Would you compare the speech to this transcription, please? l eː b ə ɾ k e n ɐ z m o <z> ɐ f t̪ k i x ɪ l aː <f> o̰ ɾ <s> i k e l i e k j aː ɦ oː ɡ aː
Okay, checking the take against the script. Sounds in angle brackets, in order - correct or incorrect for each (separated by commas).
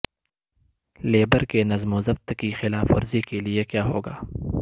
correct, correct, incorrect